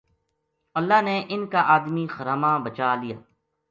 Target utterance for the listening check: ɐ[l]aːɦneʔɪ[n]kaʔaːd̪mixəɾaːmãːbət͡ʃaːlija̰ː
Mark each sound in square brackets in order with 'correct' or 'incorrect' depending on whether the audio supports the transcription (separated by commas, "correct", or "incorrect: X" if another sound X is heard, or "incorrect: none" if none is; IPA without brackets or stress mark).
incorrect: lː, correct